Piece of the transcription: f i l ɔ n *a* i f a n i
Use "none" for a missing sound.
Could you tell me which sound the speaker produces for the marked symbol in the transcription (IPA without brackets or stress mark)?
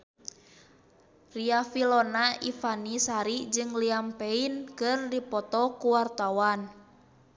a